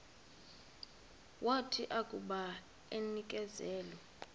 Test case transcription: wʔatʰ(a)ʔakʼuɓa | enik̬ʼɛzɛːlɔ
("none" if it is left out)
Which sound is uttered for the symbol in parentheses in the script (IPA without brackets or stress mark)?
i